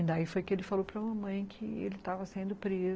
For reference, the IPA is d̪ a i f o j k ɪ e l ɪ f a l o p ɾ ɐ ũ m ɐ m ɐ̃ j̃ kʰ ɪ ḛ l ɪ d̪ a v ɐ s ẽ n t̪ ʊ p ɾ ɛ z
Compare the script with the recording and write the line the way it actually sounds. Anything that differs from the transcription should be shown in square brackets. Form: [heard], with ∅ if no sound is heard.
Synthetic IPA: d̪ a i f o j k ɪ e l ɪ f a l o p ɾ ɐ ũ m ɐ m ɐ̃ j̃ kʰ ɪ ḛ l ɪ [t̪] a v ɐ s ẽ n [d̪] ʊ p ɾ [e] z